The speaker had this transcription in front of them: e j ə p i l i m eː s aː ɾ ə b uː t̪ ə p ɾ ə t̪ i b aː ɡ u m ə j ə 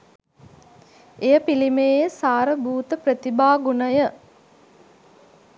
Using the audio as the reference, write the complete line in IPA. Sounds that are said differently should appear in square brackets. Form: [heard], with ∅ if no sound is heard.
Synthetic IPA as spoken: e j ə p i l i m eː s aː ɾ ə b uː t̪ ə p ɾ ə t̪ i b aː ɡ u [n] ə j ə